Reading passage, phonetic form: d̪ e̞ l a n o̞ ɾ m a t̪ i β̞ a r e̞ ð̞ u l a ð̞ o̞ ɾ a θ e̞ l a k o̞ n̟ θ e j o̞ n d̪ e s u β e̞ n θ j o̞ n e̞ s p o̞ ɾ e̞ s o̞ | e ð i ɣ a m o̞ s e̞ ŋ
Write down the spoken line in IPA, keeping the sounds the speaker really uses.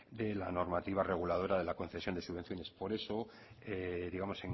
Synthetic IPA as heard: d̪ e̞ l a n o̞ ɾ m a t̪ i β̞ a r e̞ ɣ̞ u l a ð̞ o̞ ɾ a ð e̞ l a k o̞ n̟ θ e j o̞ n d̪ e s u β e̞ n θ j o̞ n e̞ s p o̞ ɾ e̞ s o̞ | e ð i ɣ a m o̞ s e̞ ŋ

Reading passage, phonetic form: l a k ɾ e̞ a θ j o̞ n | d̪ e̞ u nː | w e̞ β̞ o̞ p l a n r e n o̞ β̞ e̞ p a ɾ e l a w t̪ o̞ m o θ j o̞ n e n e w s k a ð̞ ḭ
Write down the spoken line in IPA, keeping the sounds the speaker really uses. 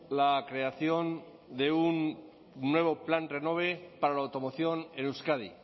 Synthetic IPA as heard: l a k ɾ e̞ a θ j o̞ n | d̪ e̞ u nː | w e̞ β̞ o̞ p l a n r e n o̞ β̞ e̞ p a ɾ a l a w t̪ o̞ m o θ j o̞ n e n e w s k a ð̞ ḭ

